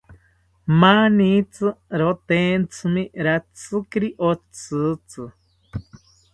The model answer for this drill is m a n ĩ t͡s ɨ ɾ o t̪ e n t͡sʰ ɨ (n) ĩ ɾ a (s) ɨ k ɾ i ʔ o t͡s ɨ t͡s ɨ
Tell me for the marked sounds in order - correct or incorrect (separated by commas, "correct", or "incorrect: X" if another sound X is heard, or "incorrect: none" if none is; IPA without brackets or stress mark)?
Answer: incorrect: m, incorrect: t͡s